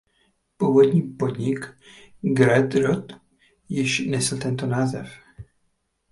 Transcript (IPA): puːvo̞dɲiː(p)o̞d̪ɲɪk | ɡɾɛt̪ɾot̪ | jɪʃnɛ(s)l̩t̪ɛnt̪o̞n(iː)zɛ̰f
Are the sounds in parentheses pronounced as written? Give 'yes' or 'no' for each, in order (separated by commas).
yes, yes, no